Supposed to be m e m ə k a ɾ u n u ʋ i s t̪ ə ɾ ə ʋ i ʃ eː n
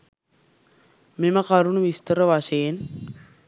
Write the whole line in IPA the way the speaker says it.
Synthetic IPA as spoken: m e m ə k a ɾ u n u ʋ i s t̪ ə ɾ ə ʋ a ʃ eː n